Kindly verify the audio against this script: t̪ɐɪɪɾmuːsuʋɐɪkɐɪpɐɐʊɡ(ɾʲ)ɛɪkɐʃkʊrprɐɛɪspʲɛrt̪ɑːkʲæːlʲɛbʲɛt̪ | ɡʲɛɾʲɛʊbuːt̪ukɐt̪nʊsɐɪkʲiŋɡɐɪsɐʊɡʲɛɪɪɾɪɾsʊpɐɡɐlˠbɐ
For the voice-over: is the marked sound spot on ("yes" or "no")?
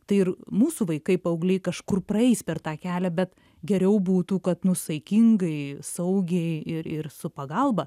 no